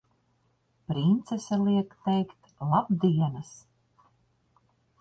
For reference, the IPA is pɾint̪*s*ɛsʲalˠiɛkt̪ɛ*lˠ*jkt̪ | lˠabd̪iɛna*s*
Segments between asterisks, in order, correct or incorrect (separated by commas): correct, incorrect, correct